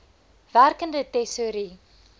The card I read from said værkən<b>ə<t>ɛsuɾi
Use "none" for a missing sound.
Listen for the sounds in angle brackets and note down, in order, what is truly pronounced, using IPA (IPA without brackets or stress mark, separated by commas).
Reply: d, t